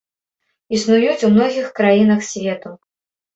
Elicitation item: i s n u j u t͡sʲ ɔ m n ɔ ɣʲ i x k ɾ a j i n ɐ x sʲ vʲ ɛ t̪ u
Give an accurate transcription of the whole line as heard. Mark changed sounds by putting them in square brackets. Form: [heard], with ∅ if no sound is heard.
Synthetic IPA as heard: i s n u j u t͡sʲ [u] m n ɔ ɣʲ i x k ɾ a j i n ɐ x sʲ vʲ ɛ t̪ u